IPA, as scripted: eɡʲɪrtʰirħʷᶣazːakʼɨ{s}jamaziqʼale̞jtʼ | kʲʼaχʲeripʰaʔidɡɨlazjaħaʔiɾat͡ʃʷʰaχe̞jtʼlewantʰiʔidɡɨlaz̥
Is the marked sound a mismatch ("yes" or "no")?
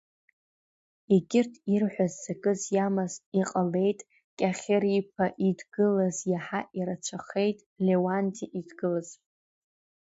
yes